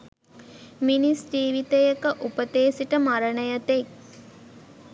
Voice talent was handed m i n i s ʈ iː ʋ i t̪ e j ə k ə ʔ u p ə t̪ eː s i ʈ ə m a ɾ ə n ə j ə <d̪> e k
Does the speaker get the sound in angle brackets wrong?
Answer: yes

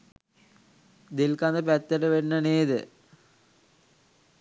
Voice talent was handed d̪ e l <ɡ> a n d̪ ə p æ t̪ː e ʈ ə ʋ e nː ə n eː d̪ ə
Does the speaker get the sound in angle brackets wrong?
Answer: yes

